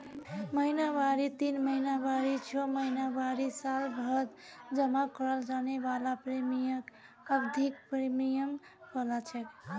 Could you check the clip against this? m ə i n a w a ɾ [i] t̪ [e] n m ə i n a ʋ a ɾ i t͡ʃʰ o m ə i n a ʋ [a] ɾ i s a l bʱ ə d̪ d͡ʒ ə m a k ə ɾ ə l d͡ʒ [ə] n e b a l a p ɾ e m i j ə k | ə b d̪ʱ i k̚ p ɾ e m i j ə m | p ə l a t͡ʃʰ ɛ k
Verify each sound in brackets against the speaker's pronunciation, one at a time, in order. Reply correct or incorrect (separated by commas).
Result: correct, incorrect, correct, incorrect